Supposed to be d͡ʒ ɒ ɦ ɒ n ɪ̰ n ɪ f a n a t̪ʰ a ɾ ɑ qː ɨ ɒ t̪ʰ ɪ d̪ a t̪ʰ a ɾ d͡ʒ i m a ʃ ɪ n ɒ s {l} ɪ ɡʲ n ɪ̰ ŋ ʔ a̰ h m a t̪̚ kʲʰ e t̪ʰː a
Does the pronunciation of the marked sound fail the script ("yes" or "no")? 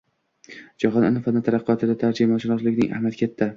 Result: no